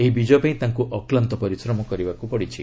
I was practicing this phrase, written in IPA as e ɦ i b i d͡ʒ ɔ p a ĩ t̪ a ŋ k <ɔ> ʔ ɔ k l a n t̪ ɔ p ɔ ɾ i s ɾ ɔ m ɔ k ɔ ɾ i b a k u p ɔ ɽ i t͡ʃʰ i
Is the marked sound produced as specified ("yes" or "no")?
no